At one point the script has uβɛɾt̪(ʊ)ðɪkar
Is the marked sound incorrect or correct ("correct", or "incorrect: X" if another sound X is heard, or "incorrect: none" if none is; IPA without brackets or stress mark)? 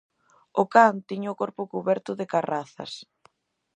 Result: correct